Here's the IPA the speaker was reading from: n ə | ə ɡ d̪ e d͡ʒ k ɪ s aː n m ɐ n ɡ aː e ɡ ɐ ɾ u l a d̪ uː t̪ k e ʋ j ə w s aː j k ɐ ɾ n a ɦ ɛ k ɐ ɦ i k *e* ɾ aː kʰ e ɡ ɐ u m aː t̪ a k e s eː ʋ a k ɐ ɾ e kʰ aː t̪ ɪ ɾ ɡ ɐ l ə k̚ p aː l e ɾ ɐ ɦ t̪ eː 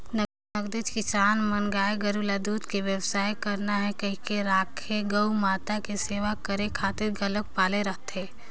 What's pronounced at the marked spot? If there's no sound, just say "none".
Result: e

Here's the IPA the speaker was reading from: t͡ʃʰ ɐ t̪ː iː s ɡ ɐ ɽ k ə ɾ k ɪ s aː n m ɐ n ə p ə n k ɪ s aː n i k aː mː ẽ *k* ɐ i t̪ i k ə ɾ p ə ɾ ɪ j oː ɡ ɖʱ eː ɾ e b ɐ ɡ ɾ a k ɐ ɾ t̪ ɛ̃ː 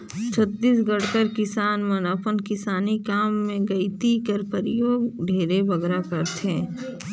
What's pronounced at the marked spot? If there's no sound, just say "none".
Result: ɡ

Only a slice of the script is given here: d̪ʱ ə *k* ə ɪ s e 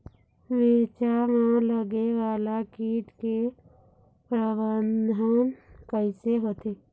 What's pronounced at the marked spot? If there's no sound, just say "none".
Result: k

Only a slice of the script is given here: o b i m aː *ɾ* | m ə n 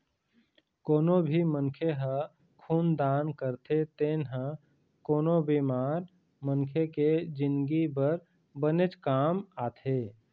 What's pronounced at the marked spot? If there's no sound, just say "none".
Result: ɾ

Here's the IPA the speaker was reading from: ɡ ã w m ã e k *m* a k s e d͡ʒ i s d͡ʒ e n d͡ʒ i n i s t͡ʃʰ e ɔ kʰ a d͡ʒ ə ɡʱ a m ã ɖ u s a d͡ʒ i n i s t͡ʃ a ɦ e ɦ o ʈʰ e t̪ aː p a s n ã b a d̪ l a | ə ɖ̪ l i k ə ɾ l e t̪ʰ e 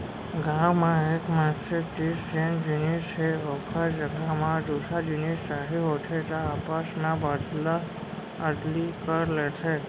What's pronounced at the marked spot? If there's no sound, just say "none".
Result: m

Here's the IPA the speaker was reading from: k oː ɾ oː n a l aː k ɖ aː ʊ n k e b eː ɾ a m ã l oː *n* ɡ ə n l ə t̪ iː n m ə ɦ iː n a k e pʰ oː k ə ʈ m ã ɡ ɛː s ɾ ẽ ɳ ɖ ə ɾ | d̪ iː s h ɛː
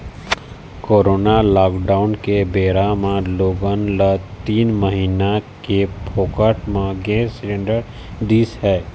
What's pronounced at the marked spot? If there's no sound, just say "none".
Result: none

